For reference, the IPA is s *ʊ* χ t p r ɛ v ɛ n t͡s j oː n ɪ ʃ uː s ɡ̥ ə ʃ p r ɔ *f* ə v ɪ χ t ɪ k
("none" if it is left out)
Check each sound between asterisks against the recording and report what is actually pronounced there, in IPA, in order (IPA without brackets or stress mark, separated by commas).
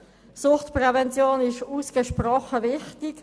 ʊ, χ